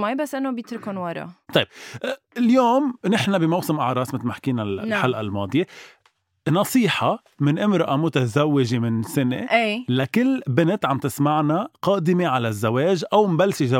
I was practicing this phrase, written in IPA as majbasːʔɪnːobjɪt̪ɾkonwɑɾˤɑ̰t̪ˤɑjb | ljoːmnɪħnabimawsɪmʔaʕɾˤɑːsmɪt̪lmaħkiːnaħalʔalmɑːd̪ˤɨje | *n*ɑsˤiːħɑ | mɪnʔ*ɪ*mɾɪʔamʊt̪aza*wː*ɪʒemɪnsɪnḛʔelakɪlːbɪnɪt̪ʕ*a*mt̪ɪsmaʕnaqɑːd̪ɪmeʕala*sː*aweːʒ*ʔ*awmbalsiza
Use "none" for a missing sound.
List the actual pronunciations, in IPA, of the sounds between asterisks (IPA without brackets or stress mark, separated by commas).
n, ɪ, wː, a, zː, ʔ